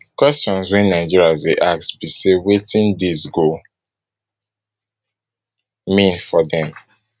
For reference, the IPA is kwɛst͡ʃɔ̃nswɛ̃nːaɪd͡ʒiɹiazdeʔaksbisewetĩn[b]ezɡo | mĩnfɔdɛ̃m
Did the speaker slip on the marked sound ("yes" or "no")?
yes